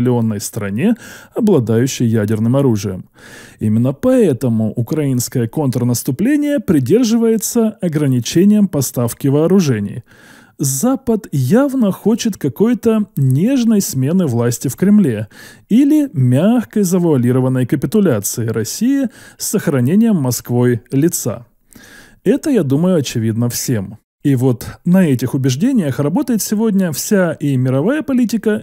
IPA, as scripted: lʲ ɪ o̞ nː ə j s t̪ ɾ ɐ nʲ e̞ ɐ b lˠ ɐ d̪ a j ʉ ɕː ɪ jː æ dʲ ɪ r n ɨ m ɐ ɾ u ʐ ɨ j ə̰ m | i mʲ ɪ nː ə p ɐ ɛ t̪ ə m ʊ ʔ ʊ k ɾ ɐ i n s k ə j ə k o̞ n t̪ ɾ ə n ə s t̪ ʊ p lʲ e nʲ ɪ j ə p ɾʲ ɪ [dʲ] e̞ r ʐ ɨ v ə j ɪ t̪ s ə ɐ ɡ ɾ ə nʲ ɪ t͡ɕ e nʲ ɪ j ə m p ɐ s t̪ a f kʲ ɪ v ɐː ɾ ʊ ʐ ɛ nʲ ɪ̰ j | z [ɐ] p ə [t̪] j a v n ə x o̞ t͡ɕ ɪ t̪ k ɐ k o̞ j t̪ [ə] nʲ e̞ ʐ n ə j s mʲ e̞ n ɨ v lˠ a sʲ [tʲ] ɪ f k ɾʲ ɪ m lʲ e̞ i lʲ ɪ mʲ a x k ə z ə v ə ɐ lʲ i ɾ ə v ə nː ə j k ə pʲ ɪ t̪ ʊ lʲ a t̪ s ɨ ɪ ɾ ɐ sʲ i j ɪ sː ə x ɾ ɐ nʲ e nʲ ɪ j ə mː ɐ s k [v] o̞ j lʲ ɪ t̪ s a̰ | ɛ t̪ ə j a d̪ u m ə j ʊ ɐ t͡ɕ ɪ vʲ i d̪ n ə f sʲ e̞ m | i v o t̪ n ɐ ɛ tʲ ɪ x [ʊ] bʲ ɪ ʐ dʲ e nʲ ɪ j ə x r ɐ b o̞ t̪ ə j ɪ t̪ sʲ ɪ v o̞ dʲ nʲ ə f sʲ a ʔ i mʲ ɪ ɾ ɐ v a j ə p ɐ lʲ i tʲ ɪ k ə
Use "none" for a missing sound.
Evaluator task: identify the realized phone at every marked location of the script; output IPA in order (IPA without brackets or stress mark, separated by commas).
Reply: dʲ, a, t̪, ə, tʲ, v, ʊ